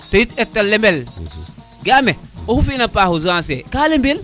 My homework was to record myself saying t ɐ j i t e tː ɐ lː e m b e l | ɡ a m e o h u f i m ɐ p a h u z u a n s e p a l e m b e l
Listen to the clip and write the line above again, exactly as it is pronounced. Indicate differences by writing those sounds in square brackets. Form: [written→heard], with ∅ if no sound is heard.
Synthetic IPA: t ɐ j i t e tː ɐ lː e m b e l | ɡ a m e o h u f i [m→n] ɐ p a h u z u a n s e [p→k] a l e m b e l